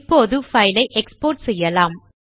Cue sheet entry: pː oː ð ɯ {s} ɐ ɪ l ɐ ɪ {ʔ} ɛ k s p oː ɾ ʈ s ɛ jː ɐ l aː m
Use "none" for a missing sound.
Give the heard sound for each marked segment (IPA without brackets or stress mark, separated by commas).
f, ʔ